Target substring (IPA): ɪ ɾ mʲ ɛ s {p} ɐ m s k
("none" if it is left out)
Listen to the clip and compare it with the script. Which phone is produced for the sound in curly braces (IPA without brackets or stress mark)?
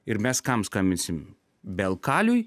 k